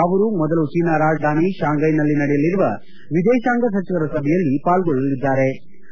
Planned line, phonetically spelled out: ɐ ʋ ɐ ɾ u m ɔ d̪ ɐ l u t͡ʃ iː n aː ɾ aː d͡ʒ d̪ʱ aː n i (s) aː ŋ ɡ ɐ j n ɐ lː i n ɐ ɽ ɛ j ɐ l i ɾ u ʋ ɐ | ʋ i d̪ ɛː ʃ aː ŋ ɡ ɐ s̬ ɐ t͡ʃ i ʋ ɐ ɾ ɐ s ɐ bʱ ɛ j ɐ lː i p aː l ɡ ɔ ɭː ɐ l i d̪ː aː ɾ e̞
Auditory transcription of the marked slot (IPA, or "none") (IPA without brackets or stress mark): ʃ